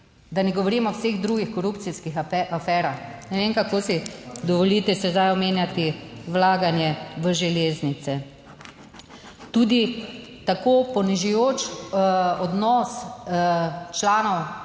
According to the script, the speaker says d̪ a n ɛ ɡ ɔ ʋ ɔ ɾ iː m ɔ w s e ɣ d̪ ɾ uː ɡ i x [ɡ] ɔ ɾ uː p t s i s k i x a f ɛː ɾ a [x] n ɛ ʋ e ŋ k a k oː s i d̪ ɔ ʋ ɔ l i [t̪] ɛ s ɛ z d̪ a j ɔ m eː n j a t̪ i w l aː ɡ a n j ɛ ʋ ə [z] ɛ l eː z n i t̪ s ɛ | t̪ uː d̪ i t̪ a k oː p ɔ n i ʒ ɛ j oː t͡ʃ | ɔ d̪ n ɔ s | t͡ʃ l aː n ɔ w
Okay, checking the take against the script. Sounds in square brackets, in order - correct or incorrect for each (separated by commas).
incorrect, correct, correct, incorrect